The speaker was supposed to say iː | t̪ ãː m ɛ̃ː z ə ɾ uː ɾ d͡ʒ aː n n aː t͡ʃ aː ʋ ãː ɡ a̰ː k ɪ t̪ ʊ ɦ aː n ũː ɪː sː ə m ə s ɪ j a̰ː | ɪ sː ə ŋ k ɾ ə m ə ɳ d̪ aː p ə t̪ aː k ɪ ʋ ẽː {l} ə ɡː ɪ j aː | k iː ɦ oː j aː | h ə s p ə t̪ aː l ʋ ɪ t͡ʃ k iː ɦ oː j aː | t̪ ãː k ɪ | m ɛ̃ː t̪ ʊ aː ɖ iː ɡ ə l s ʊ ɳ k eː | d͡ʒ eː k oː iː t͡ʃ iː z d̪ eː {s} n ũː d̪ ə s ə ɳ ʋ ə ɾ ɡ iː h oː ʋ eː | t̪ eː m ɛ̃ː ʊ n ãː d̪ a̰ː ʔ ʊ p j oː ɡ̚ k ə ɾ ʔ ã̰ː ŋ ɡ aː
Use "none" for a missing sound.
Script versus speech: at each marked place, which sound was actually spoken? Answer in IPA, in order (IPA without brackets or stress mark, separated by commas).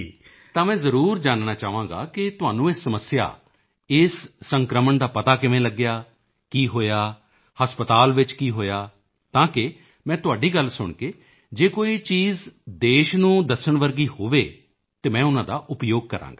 l, ʃ